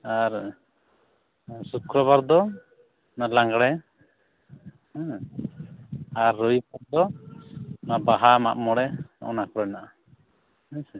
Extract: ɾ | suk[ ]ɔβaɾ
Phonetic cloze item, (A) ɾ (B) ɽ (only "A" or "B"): A